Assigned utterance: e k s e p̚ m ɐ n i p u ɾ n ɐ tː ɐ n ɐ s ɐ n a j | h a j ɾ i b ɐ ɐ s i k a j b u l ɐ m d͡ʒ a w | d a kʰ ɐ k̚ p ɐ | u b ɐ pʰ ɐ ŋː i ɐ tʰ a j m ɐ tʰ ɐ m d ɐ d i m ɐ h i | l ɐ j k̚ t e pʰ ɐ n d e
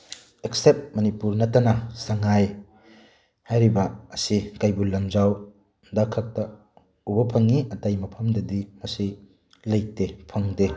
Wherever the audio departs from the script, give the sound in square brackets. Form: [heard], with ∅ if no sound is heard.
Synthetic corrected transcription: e k s e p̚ m ɐ n i p u ɾ n ɐ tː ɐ n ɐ s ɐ [ŋ] a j | h a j ɾ i b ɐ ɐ s i k a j b u l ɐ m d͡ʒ a w | d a kʰ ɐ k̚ [t] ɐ | u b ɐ pʰ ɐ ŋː i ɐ [t] a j m ɐ [pʰ] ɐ m d ɐ d i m ɐ [s] i | l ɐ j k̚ t e pʰ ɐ [ŋ] d e